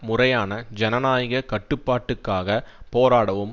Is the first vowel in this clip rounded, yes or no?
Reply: yes